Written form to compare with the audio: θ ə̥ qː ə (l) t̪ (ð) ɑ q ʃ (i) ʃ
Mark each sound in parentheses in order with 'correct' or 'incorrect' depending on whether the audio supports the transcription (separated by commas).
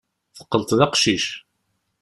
correct, correct, correct